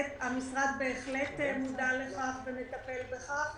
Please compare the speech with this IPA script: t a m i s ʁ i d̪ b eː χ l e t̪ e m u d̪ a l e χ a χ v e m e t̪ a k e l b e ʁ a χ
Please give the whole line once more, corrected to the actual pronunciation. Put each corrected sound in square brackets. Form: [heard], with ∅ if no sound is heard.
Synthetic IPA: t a m i s ʁ [a] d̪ b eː χ l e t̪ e m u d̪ a l e χ a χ v e m e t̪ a [p] e l b e [χ] a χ